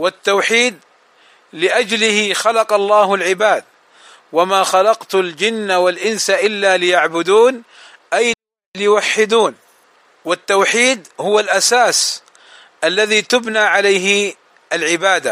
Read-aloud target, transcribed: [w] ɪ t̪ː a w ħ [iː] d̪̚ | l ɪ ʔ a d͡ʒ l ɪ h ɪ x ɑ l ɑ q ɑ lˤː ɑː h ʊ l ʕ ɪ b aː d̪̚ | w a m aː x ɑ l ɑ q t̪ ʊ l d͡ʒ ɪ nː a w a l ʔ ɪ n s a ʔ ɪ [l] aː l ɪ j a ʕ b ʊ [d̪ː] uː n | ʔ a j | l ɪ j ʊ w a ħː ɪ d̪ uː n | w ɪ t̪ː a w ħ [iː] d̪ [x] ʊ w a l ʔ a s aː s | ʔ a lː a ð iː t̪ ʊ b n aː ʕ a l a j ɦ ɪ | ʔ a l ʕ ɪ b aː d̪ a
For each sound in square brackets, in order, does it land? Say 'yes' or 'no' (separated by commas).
yes, yes, no, no, yes, no